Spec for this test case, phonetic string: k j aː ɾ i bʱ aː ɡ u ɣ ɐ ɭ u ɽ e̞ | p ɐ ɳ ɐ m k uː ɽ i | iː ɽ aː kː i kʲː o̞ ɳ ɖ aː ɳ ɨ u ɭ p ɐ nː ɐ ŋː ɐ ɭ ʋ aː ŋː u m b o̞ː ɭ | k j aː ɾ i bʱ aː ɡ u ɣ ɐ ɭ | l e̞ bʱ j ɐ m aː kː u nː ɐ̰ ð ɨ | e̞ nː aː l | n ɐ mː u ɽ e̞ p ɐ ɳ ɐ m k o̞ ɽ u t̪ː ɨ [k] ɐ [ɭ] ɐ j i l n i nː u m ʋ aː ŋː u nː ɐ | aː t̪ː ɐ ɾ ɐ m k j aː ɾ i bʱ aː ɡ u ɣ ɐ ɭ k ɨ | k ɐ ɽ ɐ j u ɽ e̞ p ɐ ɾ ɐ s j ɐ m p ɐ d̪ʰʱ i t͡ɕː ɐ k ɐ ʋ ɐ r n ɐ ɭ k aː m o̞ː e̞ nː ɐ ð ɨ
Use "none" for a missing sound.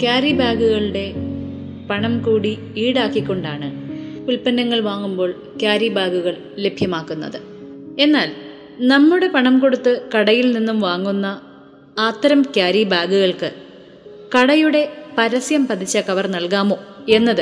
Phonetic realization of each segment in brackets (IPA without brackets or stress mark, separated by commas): k, ɽ